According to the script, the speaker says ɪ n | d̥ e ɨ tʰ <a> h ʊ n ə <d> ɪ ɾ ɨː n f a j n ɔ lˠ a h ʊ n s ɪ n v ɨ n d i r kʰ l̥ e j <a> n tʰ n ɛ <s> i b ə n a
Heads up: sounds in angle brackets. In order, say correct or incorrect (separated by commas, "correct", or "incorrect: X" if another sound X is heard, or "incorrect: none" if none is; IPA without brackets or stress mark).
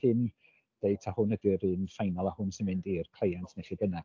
correct, correct, correct, incorrect: χ